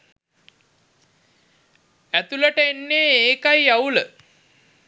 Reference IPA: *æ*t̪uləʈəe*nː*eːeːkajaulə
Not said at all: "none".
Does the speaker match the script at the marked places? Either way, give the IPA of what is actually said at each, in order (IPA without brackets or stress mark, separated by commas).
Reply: æ, nː